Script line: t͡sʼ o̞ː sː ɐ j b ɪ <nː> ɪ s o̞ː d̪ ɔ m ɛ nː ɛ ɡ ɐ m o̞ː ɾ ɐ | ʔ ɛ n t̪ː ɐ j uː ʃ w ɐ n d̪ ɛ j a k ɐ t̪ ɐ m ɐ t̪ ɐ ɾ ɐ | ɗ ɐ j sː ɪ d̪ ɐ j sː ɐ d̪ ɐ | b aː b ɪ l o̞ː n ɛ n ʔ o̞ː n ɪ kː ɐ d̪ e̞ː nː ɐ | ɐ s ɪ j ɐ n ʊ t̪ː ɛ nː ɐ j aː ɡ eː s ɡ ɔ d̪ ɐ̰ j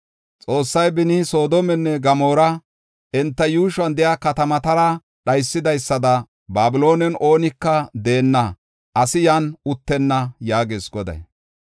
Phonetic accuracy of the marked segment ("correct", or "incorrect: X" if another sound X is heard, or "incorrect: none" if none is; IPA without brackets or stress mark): incorrect: n